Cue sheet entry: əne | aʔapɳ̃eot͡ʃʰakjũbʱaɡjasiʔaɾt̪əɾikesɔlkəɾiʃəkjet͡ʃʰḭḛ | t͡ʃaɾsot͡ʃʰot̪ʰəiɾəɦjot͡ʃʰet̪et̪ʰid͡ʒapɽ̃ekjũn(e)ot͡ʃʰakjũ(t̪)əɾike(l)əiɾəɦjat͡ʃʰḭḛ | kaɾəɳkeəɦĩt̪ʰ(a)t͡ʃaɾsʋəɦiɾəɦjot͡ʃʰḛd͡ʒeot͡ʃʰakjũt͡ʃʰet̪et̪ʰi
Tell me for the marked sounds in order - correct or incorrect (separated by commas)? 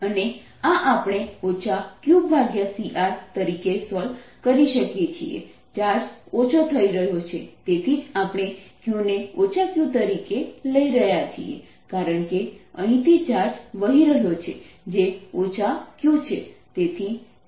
correct, correct, correct, incorrect